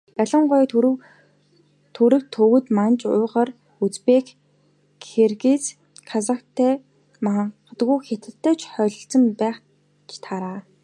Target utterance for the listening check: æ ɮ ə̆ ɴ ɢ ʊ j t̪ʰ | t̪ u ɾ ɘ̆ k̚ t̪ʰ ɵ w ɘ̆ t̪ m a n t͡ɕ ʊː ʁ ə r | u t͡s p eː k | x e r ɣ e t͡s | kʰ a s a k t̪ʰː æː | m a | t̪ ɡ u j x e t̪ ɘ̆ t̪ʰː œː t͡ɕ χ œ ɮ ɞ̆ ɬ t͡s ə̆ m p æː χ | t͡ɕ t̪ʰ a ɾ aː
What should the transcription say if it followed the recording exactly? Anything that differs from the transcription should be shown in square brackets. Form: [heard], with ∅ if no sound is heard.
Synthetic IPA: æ ɮ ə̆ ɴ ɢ ʊ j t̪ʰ | [t̪ʰ] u ɾ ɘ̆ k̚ t̪ʰ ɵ w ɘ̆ t̪ m a n t͡ɕ ʊː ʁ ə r | u t͡s p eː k | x e r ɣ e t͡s | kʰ a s a k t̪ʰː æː | m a | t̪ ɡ u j x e t̪ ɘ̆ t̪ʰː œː t͡ɕ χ œ ɮ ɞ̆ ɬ t͡s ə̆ m p æː χ | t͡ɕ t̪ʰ a ɾ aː